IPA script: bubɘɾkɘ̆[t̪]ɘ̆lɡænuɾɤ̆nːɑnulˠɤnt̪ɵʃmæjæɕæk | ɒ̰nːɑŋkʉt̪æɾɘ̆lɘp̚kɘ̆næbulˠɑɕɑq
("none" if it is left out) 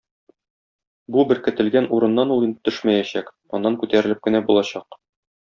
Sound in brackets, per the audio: t̪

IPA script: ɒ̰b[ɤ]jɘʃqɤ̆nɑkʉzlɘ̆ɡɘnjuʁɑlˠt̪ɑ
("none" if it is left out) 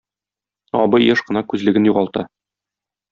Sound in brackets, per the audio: ɤ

